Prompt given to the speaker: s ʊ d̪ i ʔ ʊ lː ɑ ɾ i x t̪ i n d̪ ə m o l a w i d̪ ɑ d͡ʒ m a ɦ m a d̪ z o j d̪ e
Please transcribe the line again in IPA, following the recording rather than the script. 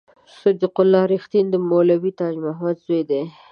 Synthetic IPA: s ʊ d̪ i q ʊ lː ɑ ɾ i x t̪ i n d̪ ə m o l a w i t̪ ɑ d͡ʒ m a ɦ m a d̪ z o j d̪ e